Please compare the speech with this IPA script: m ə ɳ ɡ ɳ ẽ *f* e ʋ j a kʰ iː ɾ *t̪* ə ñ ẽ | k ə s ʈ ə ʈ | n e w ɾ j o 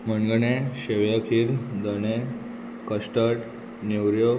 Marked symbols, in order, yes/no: no, no

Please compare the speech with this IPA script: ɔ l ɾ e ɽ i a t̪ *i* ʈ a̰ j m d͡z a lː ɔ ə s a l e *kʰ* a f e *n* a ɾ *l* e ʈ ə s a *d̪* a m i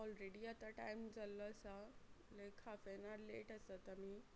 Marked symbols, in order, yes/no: no, yes, yes, yes, no

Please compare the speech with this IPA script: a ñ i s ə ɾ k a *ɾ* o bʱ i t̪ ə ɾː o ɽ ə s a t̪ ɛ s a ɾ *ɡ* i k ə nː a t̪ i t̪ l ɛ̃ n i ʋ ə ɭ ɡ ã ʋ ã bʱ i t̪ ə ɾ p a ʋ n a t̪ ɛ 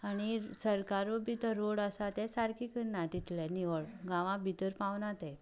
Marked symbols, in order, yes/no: yes, no

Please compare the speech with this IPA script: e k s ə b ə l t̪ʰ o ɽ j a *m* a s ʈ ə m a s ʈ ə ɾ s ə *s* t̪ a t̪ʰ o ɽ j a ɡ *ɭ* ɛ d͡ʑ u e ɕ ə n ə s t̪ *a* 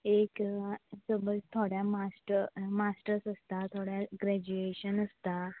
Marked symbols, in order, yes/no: yes, yes, no, yes

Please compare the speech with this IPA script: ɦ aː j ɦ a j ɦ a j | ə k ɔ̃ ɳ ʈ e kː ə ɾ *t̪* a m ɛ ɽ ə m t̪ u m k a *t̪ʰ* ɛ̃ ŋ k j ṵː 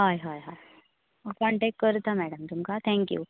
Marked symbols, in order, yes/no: yes, yes

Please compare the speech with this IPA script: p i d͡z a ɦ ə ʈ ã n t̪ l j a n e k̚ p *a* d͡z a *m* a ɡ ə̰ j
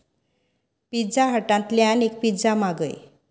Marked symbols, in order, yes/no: no, yes

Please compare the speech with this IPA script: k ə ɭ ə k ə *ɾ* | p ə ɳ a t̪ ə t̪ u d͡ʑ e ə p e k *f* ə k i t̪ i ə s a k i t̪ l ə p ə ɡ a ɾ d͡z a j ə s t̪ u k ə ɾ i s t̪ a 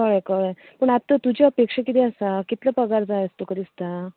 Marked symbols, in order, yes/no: no, no

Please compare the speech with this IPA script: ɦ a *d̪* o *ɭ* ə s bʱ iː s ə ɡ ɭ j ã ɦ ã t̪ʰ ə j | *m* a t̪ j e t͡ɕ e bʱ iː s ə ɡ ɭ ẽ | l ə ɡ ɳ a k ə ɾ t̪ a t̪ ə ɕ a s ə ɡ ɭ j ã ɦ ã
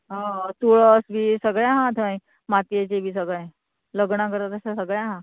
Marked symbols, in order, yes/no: no, yes, yes

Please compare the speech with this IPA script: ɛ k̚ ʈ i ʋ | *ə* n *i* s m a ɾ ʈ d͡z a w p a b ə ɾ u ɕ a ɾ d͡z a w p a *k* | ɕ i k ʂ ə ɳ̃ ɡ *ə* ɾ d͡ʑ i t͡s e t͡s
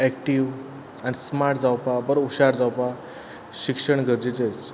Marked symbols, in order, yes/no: no, yes, no, yes

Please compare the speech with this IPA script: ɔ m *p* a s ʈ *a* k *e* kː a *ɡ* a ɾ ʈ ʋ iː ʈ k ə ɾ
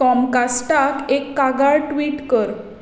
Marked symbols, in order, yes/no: no, yes, yes, yes

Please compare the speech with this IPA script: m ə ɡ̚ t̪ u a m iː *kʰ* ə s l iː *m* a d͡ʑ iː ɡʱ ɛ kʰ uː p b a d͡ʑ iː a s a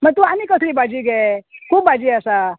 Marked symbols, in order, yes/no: no, no

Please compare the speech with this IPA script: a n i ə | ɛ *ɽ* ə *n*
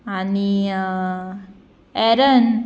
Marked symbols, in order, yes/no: no, yes

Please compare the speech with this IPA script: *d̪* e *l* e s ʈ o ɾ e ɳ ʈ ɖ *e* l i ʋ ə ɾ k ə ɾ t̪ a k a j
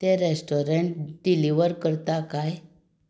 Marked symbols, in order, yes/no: no, no, no

